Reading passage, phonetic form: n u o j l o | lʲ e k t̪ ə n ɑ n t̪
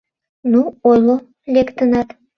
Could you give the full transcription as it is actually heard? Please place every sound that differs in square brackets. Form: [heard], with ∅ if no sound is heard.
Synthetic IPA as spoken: n u o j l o | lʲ e k t̪ ə n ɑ [∅] t̪